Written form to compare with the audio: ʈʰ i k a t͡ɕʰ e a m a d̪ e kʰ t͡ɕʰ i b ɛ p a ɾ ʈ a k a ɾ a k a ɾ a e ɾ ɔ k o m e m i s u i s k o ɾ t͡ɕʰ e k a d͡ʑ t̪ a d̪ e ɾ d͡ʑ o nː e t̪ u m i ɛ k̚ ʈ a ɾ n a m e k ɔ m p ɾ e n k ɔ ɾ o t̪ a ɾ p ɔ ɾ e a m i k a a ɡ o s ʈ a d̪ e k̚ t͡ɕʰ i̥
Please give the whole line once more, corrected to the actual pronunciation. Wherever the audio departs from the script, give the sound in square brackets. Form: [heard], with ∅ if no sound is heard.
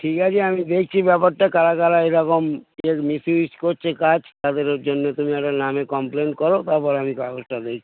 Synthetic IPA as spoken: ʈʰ i k a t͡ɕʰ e a m [i] d̪ e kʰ t͡ɕʰ i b ɛ p a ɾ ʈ a k a ɾ a k a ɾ a e ɾ ɔ k o m e m i s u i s k o ɾ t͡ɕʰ e k a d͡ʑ t̪ a d̪ e ɾ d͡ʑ o nː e t̪ u m i ɛ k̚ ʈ a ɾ n a m e k ɔ m p [l] e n k ɔ ɾ o t̪ a ɾ p ɔ ɾ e a m i k a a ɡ o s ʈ a d̪ e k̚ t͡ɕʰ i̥